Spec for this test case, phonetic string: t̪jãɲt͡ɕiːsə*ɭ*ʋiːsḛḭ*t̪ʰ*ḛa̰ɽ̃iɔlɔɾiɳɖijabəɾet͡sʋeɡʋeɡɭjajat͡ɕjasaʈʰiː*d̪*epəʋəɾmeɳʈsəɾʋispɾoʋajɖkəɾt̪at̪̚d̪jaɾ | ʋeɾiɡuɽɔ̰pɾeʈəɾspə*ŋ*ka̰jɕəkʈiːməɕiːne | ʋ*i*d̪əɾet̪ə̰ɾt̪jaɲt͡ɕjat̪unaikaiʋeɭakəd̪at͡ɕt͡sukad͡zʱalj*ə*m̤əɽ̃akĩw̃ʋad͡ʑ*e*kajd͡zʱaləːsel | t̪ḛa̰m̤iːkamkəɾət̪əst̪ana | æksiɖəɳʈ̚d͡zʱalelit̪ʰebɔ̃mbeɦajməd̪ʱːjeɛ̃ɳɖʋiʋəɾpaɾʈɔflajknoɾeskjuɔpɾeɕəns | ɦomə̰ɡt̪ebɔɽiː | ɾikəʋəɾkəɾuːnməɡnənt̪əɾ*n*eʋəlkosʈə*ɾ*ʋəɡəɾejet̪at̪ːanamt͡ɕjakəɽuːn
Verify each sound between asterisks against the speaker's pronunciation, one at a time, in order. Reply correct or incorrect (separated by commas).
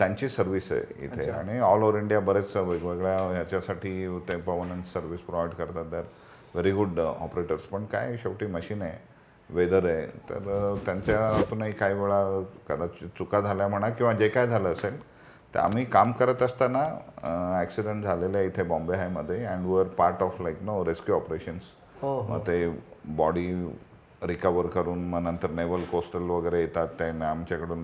incorrect, correct, incorrect, incorrect, incorrect, incorrect, correct, correct, incorrect